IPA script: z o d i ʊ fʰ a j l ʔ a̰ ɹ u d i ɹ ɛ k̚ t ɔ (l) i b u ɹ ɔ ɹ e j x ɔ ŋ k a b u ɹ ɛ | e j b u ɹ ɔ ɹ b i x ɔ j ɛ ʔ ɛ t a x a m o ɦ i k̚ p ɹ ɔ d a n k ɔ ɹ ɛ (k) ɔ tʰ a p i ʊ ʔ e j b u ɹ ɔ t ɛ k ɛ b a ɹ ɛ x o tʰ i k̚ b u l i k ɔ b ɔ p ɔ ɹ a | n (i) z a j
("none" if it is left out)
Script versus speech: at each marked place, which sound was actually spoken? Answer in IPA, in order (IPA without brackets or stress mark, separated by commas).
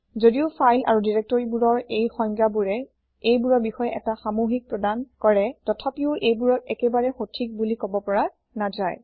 ɹ, t, a